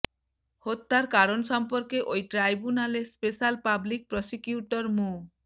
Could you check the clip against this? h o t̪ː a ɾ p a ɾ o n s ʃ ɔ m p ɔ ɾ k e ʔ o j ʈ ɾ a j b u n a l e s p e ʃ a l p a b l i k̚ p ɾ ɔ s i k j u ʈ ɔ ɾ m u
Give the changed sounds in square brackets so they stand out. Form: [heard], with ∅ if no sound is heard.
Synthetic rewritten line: h o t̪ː a ɾ [k] a ɾ o n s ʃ ɔ m p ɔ ɾ k e ʔ o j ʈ ɾ a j b u n a l e s p e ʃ a l p a b l i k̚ p ɾ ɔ s i k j u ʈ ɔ ɾ m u